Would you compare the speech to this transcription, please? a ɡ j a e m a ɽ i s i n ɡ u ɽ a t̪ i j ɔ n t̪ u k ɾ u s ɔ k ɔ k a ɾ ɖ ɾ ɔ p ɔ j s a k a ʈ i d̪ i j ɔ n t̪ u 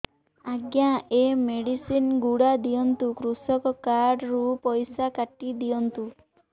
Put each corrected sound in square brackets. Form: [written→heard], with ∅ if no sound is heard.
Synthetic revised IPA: a ɡ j a e m [a→e] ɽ i s i n ɡ u ɽ a [t̪→d̪] i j ɔ n t̪ u k ɾ u s ɔ k ɔ k a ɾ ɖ ɾ [ɔ→u] p ɔ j s a k a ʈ i d̪ i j ɔ n t̪ u